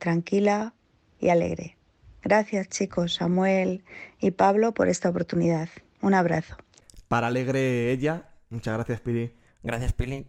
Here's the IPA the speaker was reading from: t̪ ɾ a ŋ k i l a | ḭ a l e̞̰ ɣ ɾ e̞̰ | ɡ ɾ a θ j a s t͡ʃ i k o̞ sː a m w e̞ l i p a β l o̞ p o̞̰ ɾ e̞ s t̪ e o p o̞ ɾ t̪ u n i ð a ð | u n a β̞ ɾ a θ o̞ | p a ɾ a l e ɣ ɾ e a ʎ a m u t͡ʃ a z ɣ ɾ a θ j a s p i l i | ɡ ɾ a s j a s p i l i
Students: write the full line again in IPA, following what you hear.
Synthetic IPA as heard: t̪ ɾ a ŋ k i l a | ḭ a l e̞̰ ɣ ɾ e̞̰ | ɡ ɾ a θ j a s t͡ʃ i k o̞ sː a m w e̞ l i p a β l o̞ p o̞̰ ɾ e̞ s t̪ a o p o̞ ɾ t̪ u n i ð a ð | u n a β̞ ɾ a θ o̞ | p a ɾ a l e ɣ ɾ e e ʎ a m u t͡ʃ a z ɣ ɾ a θ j a s p i l i | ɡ ɾ a θ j a s p i l i